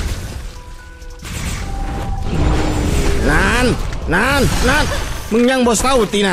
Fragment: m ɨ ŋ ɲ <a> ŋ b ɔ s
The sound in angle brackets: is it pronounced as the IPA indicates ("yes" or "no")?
yes